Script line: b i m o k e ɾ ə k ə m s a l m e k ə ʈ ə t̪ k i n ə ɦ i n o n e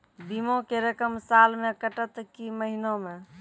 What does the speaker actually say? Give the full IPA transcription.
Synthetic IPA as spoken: b i m o k e ɾ ə k ə m s a l m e k ə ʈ ə t̪ k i m ə ɦ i n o m e

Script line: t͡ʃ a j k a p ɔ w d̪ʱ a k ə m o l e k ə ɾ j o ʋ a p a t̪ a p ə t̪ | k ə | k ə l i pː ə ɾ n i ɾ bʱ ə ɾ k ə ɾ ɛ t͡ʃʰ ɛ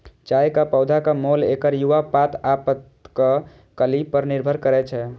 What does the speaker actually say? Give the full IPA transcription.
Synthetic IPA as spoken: t͡ʃ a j k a p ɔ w d̪ʱ a k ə m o l e k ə ɾ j u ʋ a p a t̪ a p ə t̪ | k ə | k ə l i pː ə ɾ n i ɾ bʱ ə ɾ k ə ɾ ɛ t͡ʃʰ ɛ

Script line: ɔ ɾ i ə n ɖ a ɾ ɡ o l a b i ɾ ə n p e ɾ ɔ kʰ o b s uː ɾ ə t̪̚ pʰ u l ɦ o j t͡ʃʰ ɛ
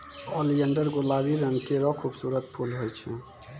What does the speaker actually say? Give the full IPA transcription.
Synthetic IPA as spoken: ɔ l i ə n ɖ ə ɾ ɡ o l a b i ɾ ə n k e ɾ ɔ kʰ u b s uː ɾ ə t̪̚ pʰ u l ɦ o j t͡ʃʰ ɛ

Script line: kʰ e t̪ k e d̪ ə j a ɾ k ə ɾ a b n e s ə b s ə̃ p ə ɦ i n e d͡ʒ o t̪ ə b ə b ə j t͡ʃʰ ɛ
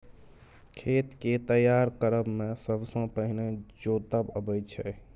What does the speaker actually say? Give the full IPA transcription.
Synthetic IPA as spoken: kʰ e t̪ k e t̪ ə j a ɾ k ə ɾ ə b m e s ə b s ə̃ p ə ɦ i n e d͡ʒ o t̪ ə b ə b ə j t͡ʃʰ ɛ

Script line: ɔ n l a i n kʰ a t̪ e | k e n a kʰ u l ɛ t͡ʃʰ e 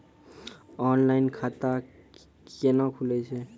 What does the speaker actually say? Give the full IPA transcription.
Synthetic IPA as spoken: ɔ n l a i n kʰ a t̪ a | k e n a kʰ u l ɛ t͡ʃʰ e

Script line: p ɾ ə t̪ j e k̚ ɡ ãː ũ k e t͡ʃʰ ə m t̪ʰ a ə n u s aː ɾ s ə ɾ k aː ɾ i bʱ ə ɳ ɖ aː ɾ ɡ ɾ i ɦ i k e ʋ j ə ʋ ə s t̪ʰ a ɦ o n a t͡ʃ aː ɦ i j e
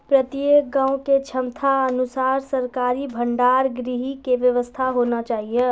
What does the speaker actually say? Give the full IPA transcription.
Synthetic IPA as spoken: p ɾ ə t̪ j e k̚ ɡ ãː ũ k e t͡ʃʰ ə m t̪ʰ a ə n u s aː ɾ s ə ɾ k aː ɾ i bʱ ə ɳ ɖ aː ɾ ɡ ɾ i ɦ i k e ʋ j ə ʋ ə s t̪ʰ a ɦ o n a t͡ʃ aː ɦ i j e

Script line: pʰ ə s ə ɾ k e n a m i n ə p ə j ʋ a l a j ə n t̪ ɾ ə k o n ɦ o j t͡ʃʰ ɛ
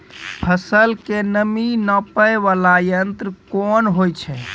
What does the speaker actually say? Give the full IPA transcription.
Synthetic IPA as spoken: pʰ ə s ə l k e n ə m i n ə p ə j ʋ a l a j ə n t̪ ɾ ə k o n ɦ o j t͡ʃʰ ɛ

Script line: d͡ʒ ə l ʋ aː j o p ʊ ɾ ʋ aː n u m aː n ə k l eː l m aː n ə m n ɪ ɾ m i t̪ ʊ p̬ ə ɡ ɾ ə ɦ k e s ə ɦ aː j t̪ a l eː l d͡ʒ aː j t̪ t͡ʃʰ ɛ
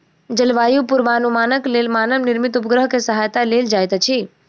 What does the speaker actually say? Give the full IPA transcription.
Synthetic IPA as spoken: d͡ʒ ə l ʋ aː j u p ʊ ɾ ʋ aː n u m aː n ə k l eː l m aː n ə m n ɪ ɾ m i t̪ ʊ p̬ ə ɡ ɾ ə ɦ k e s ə ɦ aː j t̪ a l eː l d͡ʒ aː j t̪ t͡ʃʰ i

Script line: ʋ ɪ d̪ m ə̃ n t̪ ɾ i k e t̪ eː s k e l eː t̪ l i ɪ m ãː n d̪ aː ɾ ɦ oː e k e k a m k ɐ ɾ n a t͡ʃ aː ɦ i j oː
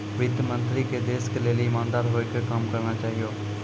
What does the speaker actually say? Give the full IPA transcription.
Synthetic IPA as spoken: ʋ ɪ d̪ m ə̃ n t̪ ɾ i k e d̪ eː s k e l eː l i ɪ m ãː n d̪ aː ɾ ɦ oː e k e k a m k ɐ ɾ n a t͡ʃ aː ɦ i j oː

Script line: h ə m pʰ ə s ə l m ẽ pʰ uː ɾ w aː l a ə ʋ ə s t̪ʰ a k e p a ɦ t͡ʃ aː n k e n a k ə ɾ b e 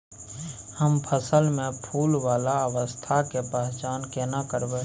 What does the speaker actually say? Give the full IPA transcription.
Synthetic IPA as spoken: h ə m pʰ ə s ə l m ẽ pʰ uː l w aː l a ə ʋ ə s t̪ʰ a k e p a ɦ t͡ʃ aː n k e n a k ə ɾ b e

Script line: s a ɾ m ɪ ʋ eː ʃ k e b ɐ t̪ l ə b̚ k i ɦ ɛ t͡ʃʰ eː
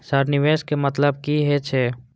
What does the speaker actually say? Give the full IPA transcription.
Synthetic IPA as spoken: s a ɾ n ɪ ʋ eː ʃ k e m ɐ t̪ l ə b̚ k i ɦ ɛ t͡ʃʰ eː

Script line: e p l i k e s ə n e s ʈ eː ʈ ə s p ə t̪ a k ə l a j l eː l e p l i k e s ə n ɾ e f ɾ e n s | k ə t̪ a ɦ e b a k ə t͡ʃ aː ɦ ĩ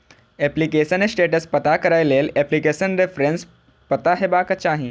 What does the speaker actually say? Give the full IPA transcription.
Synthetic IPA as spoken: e p l i k e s ə n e s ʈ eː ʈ ə s p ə t̪ a k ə ɾ a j l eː l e p l i k e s ə n ɾ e f ɾ e n s | p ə t̪ a ɦ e b a k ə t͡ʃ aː ɦ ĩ

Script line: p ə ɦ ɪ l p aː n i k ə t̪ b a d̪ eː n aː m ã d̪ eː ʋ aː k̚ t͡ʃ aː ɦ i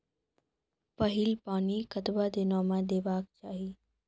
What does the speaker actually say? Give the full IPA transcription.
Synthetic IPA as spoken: p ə ɦ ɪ l p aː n i k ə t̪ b a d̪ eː n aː m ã d̪ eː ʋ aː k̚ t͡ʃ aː ɦ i

